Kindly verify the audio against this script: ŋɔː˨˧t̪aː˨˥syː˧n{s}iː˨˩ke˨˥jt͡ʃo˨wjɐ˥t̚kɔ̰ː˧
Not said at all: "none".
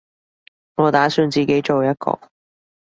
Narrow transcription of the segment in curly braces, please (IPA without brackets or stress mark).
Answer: t͡s